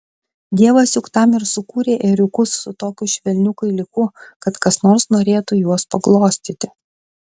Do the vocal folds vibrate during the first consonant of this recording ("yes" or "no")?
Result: yes